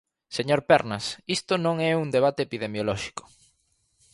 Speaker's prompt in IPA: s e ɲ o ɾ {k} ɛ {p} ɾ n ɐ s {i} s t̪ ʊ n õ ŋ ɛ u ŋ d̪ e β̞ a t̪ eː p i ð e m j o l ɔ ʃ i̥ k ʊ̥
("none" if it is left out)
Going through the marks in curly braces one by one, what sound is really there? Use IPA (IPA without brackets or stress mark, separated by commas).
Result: p, none, i